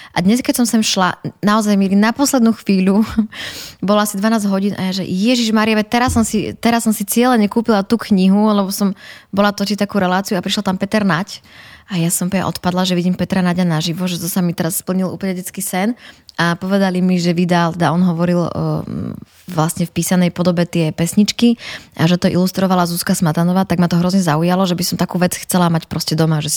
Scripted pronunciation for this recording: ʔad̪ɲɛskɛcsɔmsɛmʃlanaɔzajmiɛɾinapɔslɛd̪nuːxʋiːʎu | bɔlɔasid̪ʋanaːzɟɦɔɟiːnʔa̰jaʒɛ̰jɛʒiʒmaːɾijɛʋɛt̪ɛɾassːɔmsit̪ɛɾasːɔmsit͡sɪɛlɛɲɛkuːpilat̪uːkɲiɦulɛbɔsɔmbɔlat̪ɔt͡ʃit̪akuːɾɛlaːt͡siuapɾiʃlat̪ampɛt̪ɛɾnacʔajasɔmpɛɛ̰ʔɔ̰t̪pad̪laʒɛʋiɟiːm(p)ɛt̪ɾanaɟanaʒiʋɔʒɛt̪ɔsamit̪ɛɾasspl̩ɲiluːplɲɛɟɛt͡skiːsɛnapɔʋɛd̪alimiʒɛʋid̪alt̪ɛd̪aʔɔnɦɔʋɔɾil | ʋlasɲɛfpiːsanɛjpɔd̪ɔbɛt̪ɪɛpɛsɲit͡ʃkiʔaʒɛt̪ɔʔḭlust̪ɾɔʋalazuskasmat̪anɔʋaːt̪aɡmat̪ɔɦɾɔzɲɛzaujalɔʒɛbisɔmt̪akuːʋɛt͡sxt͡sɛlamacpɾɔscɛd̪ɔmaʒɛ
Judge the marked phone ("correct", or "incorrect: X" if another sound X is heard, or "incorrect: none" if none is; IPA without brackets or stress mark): correct